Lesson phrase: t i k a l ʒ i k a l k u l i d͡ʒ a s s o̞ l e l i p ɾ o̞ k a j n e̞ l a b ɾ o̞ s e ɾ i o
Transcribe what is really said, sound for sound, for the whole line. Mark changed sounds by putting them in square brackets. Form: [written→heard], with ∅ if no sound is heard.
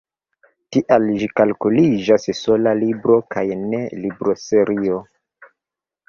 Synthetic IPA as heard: t i [k→ʔ] a l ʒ i k a l k u l i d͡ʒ a s s o̞ l [e→a] l i [p→b] ɾ o̞ k a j n e̞ l [a→i] b ɾ o̞ s e ɾ i o